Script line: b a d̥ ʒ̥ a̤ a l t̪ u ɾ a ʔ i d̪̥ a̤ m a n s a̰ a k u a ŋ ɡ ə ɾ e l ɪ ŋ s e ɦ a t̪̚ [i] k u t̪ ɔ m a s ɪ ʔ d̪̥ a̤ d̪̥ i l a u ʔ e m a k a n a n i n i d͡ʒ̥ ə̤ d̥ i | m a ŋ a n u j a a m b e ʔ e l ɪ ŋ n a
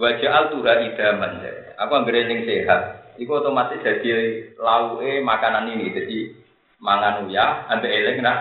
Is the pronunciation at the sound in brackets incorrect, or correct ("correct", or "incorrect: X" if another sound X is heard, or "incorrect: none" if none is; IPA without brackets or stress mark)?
correct